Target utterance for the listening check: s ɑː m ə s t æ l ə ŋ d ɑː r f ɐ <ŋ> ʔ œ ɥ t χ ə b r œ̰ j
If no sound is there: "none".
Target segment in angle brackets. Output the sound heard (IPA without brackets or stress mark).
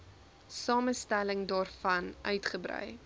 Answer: n